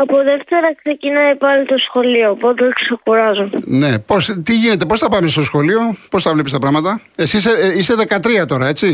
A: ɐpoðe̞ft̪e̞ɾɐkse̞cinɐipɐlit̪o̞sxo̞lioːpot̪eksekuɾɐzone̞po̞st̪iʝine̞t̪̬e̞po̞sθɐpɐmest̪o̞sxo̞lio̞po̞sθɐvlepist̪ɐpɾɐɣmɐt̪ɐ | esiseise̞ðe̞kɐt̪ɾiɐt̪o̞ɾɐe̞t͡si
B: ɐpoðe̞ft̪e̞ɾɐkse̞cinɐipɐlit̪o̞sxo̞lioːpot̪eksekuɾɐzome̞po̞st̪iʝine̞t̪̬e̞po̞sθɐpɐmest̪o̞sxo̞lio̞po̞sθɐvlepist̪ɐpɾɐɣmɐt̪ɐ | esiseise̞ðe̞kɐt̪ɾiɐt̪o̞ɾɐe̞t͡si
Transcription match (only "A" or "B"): A